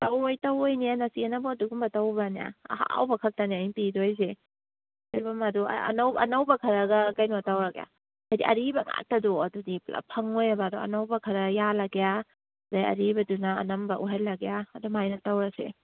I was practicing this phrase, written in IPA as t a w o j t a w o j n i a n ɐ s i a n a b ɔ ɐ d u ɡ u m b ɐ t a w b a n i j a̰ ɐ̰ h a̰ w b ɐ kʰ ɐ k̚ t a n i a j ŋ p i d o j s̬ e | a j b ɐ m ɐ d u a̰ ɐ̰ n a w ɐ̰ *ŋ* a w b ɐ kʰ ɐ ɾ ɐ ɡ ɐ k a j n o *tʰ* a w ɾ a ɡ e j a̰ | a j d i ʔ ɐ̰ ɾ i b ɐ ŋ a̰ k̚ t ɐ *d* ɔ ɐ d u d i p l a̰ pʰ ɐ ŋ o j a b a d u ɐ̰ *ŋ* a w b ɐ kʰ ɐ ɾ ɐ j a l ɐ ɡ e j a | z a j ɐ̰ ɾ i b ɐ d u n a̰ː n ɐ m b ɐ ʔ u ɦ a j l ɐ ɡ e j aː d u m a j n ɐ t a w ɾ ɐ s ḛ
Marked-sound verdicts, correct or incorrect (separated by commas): incorrect, incorrect, correct, incorrect